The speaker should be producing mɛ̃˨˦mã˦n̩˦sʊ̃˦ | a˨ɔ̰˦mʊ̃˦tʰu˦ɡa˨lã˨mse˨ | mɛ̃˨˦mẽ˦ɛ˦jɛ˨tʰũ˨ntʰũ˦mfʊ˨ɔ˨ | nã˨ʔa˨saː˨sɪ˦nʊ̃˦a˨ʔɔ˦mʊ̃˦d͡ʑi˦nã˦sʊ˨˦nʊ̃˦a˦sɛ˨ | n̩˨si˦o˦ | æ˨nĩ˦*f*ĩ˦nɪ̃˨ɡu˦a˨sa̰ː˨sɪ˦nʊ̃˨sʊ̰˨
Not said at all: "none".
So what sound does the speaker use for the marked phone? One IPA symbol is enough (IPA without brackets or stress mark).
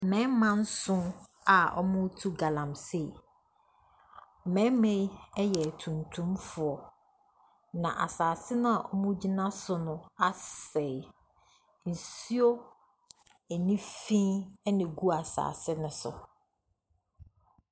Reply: f